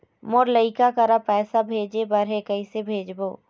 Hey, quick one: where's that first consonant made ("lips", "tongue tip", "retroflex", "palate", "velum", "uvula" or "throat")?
lips